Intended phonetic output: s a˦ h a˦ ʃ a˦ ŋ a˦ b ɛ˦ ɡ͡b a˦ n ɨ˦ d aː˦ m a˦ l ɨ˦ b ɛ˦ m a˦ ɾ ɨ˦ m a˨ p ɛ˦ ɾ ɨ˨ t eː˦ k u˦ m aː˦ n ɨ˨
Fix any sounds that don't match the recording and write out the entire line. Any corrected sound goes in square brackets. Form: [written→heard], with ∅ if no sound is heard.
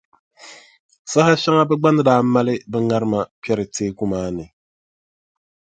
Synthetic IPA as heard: s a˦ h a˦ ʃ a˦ ŋ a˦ b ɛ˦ ɡ͡b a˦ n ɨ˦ d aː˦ m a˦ l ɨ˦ b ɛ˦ [m→ŋ] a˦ ɾ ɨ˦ m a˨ p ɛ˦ ɾ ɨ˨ t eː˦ k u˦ m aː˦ n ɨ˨